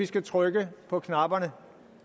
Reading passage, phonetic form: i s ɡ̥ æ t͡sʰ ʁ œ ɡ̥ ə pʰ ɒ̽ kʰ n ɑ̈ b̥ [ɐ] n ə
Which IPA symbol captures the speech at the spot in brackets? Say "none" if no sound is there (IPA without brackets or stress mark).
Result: ɐ